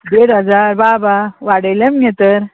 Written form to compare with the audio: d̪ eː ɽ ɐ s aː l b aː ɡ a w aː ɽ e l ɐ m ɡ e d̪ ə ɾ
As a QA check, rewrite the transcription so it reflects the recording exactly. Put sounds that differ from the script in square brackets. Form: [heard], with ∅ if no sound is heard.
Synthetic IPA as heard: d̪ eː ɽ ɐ [z] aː [ɾ] b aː [b] a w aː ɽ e l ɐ m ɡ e [t̪] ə ɾ